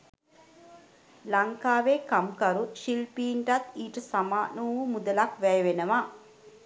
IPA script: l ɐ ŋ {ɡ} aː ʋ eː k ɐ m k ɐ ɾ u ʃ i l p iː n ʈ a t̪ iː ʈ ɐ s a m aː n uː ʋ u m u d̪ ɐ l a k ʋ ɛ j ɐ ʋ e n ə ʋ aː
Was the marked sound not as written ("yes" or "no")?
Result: yes